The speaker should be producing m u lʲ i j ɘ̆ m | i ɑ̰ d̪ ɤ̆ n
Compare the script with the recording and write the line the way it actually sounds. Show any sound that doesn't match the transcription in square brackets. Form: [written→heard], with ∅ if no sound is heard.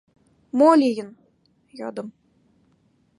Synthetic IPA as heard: m [u→o] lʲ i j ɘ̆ [m→n] | [i→j] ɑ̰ d̪ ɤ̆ [n→m]